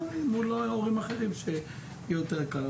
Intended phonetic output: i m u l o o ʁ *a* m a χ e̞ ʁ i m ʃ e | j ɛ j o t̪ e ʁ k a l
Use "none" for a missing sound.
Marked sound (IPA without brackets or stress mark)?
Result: i